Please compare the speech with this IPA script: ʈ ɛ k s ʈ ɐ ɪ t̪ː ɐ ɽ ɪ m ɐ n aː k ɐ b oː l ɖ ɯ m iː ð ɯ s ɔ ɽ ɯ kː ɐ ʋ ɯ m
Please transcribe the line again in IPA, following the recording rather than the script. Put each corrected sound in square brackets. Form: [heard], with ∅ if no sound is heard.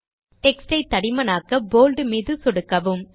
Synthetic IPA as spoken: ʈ ɛ k s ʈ ɐ ɪ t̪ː ɐ ɽ ɪ m ɐ n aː k ɐ b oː l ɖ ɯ m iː ð ɯ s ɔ ɽ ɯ kː ɐ ʋ ɯ m